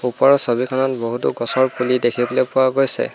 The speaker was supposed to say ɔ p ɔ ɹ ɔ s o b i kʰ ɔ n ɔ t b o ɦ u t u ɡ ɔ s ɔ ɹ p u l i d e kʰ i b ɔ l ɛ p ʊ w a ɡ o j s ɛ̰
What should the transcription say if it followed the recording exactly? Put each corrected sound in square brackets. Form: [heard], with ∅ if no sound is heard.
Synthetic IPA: [u] p ɔ ɹ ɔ s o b i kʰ ɔ n ɔ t b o ɦ u t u ɡ ɔ s ɔ ɹ p u l i d e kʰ i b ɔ l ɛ p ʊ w a ɡ o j s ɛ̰